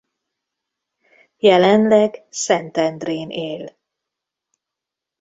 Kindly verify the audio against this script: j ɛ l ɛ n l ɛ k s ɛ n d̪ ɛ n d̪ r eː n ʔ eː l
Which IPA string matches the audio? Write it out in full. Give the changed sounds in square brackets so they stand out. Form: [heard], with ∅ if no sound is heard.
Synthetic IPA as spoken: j ɛ l ɛ n l ɛ [ɡ] s ɛ n [t̪] ɛ n d̪ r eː n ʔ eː l